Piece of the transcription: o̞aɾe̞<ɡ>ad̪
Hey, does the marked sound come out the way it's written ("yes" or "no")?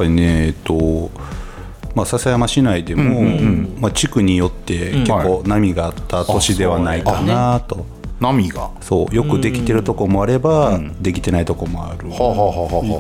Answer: no